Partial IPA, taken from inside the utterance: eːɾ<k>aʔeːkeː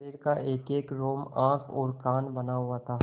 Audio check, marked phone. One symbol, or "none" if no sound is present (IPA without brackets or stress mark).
k